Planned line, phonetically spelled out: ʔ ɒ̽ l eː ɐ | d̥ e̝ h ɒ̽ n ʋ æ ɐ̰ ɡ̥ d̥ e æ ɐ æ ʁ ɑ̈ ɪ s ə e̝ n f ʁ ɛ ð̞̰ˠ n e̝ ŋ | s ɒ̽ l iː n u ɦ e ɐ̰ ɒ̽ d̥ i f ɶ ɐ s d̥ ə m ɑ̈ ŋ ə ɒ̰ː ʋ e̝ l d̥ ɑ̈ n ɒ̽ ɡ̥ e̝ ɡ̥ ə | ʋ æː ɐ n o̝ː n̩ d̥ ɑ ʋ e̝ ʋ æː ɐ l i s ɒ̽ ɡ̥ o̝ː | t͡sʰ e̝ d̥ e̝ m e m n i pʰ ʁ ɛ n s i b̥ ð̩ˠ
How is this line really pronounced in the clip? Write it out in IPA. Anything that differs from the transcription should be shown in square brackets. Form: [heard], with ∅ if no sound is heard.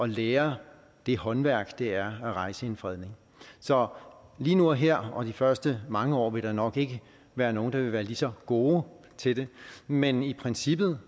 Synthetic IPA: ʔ ɒ̽ l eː ɐ | d̥ e̝ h ɒ̽ n ʋ æ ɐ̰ ɡ̥ d̥ e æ ɐ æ ʁ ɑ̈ ɪ s ə e̝ n f ʁ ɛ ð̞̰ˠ n e̝ ŋ | s ɒ̽ l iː n u ɦ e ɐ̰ ɒ̽ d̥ i f ɶ ɐ s d̥ ə m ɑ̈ ŋ ə ɒ̰ː ʋ e̝ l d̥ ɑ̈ n ɒ̽ ɡ̥ e̝ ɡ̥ ə | ʋ æː ɐ n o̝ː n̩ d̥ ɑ ʋ e̝ ʋ æː ɐ l i s ɒ̽ ɡ̥ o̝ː | t͡sʰ e̝ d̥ e̝ m e [∅] n i pʰ ʁ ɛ n s i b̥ ð̩ˠ

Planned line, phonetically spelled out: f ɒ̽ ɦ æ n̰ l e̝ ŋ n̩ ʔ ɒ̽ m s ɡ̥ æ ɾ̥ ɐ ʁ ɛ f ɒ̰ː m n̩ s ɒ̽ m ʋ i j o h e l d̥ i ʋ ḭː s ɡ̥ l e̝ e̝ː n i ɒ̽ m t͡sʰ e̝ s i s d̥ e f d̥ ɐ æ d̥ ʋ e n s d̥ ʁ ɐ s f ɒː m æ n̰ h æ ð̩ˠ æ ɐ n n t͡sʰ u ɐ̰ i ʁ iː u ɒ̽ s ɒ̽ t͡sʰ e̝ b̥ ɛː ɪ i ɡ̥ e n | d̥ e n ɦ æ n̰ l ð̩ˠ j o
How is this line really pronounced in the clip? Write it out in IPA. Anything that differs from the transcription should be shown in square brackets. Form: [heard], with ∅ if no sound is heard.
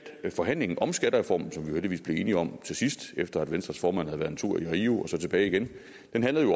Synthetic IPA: f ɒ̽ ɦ æ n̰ l e̝ ŋ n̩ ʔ ɒ̽ m s ɡ̥ æ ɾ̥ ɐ ʁ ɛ f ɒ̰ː m n̩ s ɒ̽ m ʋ i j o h e l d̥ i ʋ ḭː s [b̥] l e̝ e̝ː n i ɒ̽ m t͡sʰ e̝ s i s d̥ e f d̥ ɐ æ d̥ ʋ e n s d̥ ʁ ɐ s f ɒː m æ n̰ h æ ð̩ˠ æ ɐ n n t͡sʰ u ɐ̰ i ʁ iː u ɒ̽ s ɒ̽ t͡sʰ e̝ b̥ ɛː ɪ i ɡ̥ e n | d̥ e n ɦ æ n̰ l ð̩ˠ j o

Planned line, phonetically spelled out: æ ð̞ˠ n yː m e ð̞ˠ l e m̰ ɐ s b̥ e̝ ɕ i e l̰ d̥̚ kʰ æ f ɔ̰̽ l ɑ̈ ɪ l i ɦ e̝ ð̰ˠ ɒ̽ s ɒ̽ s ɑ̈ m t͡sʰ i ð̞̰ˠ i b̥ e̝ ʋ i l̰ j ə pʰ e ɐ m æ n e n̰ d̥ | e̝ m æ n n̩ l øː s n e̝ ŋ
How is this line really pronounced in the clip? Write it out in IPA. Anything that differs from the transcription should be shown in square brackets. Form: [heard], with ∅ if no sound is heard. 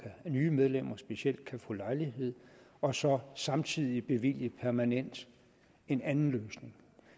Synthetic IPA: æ [∅] n yː m e ð̞ˠ l e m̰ ɐ s b̥ e̝ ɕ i e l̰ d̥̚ kʰ æ f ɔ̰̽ l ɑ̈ ɪ l i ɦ e̝ ð̰ˠ ɒ̽ s ɒ̽ s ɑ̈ m t͡sʰ i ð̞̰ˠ i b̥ e̝ ʋ i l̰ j ə pʰ [æ] ɐ m æ n e n̰ d̥ | e̝ [n] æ n n̩ l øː s n e̝ ŋ

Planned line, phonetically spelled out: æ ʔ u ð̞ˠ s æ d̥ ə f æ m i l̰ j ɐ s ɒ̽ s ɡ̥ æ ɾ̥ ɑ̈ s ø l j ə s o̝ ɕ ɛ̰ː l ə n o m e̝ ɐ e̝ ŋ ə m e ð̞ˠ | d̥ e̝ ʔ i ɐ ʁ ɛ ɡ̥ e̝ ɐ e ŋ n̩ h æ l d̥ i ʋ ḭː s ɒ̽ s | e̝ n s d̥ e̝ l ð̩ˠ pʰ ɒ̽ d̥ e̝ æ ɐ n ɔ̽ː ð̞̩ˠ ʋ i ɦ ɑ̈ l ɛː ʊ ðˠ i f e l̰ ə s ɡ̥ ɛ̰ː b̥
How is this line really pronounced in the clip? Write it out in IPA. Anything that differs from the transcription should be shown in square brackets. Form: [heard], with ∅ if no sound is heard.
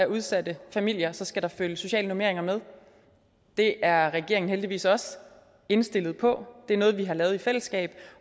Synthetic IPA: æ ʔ u ð̞ˠ s æ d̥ ə f æ m i l̰ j ɐ s ɒ̽ s ɡ̥ æ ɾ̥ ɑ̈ [f] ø l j ə s o̝ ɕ ɛ̰ː l ə n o m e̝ ɐ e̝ ŋ [ɐ] m e ð̞ˠ | d̥ e̝ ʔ [æ] ɐ ʁ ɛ ɡ̥ e̝ ɐ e ŋ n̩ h [e] l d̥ i ʋ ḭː s ɒ̽ s | e̝ n s d̥ e̝ l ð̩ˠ pʰ ɒ̽ d̥ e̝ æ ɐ n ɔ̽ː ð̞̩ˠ ʋ i ɦ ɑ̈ l ɛː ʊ ðˠ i f e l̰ ə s ɡ̥ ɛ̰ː b̥

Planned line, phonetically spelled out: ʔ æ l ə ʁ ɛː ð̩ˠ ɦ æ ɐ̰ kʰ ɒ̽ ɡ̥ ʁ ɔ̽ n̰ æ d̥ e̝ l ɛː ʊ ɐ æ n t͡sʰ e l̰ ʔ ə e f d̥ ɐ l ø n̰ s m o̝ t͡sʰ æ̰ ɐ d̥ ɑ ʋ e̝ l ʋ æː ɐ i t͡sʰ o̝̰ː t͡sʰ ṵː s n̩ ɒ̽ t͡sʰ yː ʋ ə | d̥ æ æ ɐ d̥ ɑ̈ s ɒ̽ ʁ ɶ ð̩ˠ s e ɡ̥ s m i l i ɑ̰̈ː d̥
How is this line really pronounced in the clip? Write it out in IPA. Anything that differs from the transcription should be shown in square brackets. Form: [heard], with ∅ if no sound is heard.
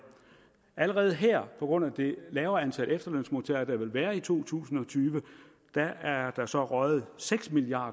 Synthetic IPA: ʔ æ l ə ʁ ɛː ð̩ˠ ɦ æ ɐ̰ [pʰ] ɒ̽ ɡ̥ ʁ ɔ̽ n̰ æ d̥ e̝ l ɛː ʊ ɐ æ n t͡sʰ [æ] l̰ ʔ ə e f d̥ ɐ l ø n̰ s m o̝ t͡sʰ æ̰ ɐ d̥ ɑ ʋ e̝ l ʋ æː ɐ i t͡sʰ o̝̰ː t͡sʰ ṵː s n̩ ɒ̽ t͡sʰ yː ʋ ə | d̥ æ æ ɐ d̥ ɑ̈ s ɒ̽ ʁ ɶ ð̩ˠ s e ɡ̥ s m i l i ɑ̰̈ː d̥

